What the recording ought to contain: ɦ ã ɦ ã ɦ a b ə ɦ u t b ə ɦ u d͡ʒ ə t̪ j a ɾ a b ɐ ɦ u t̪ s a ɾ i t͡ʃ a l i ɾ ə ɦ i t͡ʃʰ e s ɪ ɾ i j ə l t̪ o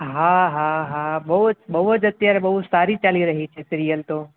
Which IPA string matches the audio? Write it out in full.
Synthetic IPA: ɦ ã ɦ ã ɦ a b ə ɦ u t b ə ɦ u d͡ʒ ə t̪ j a ɾ e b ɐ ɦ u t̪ s a ɾ i t͡ʃ a l i ɾ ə ɦ i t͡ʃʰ e s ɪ ɾ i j ə l t̪ o